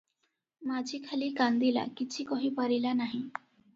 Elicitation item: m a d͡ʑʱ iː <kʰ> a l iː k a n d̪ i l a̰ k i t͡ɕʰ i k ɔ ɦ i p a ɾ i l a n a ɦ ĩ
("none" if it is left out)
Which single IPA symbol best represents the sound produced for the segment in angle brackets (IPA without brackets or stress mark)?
kʰ